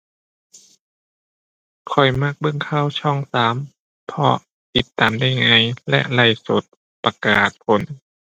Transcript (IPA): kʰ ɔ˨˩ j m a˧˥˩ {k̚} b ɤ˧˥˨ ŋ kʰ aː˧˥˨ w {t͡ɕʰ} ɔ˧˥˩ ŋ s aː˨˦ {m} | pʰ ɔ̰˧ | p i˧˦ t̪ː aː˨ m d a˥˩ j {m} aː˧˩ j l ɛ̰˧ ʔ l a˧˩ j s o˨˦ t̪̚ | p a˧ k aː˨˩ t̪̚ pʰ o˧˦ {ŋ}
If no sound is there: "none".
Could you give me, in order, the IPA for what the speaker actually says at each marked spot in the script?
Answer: k̚, t͡ɕʰ, m, ŋ, n

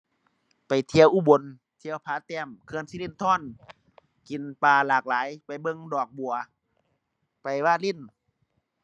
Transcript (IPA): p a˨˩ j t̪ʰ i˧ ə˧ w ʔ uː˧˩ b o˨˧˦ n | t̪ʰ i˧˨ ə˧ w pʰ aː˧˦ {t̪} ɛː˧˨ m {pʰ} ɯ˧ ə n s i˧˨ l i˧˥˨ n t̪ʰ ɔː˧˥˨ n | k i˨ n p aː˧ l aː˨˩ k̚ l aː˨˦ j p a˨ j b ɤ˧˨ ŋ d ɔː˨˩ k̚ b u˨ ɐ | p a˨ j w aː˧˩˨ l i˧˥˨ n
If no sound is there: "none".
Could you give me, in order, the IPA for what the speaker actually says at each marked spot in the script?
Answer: t̪, kʰ

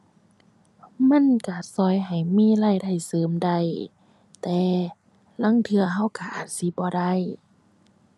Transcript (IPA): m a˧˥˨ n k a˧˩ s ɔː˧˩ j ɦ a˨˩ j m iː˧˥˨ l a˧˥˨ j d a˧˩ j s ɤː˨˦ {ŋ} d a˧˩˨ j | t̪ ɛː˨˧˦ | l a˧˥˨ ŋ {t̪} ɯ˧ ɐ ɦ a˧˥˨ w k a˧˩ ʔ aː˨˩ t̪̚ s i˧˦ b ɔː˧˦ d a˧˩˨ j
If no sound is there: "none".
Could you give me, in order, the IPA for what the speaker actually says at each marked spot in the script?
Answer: m, t̪ʰ

